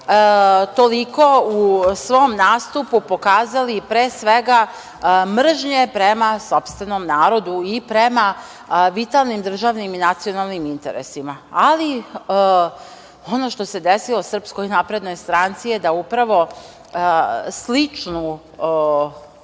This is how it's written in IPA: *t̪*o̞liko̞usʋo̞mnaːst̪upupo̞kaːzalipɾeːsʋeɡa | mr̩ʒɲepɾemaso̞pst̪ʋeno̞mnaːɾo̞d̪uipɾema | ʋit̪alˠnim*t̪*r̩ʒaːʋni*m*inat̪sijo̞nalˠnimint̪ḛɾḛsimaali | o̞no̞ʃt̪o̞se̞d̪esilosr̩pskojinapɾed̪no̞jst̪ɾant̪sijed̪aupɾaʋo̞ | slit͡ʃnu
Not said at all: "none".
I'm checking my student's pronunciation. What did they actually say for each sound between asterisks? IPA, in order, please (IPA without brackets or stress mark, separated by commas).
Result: t̪, d̪, m